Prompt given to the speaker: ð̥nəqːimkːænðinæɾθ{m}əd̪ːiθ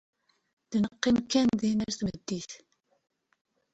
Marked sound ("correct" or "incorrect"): correct